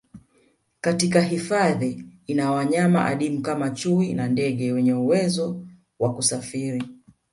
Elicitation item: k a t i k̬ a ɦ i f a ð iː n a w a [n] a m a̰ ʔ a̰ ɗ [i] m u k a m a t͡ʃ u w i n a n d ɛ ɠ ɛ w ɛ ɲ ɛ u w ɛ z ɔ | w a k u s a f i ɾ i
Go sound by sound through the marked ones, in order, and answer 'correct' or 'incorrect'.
incorrect: ɲ, correct

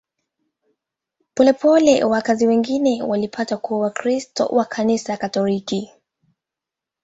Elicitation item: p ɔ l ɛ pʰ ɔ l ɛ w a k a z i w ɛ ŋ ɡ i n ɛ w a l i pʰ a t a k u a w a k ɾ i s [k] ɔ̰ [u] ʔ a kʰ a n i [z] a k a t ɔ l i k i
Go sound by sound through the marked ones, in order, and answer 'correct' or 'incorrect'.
incorrect: t, incorrect: w, incorrect: s

